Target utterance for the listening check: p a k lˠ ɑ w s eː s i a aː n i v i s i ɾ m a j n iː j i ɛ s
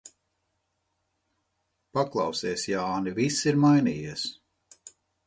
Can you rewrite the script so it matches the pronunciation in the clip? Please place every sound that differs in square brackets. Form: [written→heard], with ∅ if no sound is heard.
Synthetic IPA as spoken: p a k lˠ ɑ w s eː s [i→j] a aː n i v i s i ɾ m a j n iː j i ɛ s